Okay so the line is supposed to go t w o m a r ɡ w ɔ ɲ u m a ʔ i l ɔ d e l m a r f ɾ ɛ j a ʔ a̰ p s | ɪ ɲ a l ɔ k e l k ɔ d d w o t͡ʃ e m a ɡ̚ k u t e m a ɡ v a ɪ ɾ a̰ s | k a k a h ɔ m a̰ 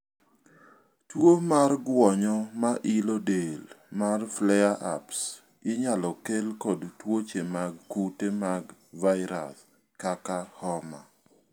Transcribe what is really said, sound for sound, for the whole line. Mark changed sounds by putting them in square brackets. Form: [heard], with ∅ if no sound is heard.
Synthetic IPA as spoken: t w o m a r ɡ w ɔ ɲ [ɔ] m a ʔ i l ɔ d e l m a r f [l] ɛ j a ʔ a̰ p s | ɪ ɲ a l ɔ k e l k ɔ d [t] w o t͡ʃ e m a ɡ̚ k u t e m a ɡ v a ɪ ɾ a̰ s | k a k a h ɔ m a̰